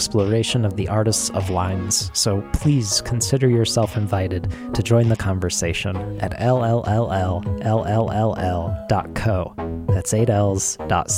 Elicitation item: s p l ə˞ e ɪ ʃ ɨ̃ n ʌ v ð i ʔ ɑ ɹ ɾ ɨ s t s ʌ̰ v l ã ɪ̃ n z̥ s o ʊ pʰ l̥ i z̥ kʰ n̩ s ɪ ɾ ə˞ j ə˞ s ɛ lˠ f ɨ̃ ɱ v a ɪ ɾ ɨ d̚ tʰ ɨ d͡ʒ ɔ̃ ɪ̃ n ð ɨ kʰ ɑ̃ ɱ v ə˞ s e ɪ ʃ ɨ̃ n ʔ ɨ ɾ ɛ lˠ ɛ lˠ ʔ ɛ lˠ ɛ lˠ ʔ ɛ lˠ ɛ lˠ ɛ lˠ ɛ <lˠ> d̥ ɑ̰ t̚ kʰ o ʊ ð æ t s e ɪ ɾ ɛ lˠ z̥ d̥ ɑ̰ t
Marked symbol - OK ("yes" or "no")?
yes